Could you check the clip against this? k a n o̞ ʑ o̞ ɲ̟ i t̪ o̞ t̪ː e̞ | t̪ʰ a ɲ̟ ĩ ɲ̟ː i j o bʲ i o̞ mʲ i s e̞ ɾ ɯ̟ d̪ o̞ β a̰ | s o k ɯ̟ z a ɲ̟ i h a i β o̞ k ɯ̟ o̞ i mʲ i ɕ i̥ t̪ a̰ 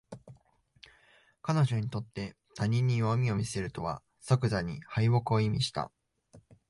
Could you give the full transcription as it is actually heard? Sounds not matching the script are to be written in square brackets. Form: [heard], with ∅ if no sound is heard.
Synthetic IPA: k a n o̞ ʑ o̞ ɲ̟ i t̪ o̞ t̪ː e̞ | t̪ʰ a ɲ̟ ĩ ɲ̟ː i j o [mʲ] i o̞ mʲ i s e̞ ɾ ɯ̟ [t̪] o̞ β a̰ | s o k ɯ̟ z a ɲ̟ i h a i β o̞ k ɯ̟ o̞ i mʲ i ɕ i̥ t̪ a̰

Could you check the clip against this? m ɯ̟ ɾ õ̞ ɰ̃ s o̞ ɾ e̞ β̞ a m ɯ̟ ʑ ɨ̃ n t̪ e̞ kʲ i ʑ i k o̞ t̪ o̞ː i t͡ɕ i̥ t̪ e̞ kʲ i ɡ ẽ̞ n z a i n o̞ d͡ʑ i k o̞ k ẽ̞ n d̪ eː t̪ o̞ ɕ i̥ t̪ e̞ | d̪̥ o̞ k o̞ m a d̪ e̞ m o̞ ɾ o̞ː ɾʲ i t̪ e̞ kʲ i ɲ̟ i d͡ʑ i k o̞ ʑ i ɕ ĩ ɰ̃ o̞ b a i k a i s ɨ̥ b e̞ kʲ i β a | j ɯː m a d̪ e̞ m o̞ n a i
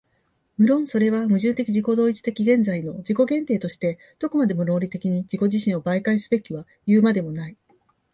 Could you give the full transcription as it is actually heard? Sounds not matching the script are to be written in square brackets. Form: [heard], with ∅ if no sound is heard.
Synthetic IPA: m ɯ̟ ɾ õ̞ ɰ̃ s o̞ ɾ e̞ β̞ a m ɯ̟ ʑ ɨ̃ n t̪ e̞ kʲ i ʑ i k o̞ [d̪] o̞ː i t͡ɕ i̥ t̪ e̞ kʲ i ɡ ẽ̞ n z a i n o̞ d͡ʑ i k o̞ [ɡ] ẽ̞ n [t̪] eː t̪ o̞ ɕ i̥ t̪ e̞ | d̪̥ o̞ k o̞ m a d̪ e̞ m o̞ ɾ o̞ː ɾʲ i t̪ e̞ kʲ i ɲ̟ i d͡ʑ i k o̞ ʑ i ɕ ĩ ɰ̃ o̞ b a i k a i s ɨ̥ b e̞ kʲ i β a | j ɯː m a d̪ e̞ m o̞ n a i

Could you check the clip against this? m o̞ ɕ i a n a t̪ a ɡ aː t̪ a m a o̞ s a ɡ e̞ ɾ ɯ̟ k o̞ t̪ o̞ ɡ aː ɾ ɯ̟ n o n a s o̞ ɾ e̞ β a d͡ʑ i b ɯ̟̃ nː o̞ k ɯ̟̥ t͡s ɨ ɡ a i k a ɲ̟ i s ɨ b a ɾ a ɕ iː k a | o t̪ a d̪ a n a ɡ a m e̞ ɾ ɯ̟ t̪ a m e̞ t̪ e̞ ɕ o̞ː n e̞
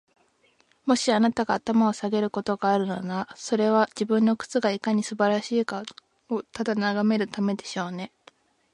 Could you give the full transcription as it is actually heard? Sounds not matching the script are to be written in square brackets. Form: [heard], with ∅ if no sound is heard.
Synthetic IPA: m o̞ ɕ i a n a t̪ a ɡ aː t̪ a m a o̞ s a ɡ e̞ ɾ ɯ̟ k o̞ t̪ o̞ ɡ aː ɾ ɯ̟ n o n a s o̞ ɾ e̞ β a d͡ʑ i b ɯ̟̃ nː o̞ k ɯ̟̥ t͡s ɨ ɡ a i k a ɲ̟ i s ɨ b a ɾ a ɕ iː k a | o t̪ a d̪ a n a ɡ a m e̞ ɾ ɯ̟ t̪ a m e̞ [d̪] e̞ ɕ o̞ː n e̞

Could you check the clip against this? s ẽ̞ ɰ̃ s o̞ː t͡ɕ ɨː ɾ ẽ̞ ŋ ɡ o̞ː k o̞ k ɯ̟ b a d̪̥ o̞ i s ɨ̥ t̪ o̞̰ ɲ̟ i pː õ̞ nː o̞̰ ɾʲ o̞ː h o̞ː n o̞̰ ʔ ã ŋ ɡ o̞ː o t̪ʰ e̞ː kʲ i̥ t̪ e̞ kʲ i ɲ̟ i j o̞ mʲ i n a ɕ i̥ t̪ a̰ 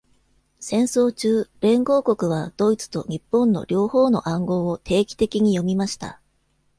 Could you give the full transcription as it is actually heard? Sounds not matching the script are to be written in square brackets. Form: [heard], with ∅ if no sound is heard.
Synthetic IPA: s ẽ̞ ɰ̃ s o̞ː t͡ɕ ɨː ɾ ẽ̞ ŋ ɡ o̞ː k o̞ k ɯ̟ [β] a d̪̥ o̞ i [t͡s] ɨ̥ t̪ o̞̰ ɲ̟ i pː õ̞ nː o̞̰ ɾʲ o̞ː h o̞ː n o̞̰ ʔ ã ŋ ɡ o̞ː o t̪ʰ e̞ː kʲ i̥ t̪ e̞ kʲ i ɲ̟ i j o̞ mʲ i [m] a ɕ i̥ t̪ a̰

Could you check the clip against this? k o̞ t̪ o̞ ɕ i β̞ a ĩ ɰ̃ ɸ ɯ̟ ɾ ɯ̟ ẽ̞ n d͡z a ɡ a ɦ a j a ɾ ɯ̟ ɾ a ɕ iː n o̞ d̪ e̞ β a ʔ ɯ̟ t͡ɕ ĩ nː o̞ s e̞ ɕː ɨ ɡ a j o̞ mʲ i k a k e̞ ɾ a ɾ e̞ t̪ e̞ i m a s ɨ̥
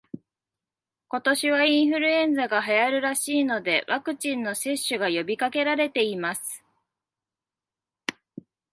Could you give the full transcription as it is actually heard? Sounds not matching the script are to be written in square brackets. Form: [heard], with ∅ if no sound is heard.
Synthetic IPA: k o̞ t̪ o̞ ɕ i β̞ a ĩ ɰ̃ ɸ ɯ̟ ɾ ɯ̟ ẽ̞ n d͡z a ɡ a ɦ a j a ɾ ɯ̟ ɾ a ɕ iː n o̞ d̪ e̞ β a [k] ɯ̟ t͡ɕ ĩ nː o̞ s e̞ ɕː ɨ ɡ a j o̞ [bʲ] i k a k e̞ ɾ a ɾ e̞ t̪ e̞ i m a s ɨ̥

